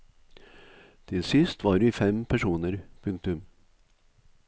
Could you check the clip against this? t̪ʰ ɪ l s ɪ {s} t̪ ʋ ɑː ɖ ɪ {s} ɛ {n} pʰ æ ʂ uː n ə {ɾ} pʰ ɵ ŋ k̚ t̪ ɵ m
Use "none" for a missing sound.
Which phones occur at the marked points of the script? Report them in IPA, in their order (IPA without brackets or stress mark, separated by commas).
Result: s, f, m, ɾ